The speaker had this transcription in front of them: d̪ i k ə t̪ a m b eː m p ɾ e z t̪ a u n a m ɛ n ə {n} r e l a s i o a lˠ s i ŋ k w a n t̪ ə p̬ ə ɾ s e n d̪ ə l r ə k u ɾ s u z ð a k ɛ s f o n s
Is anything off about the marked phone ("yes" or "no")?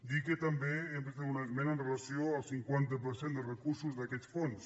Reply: no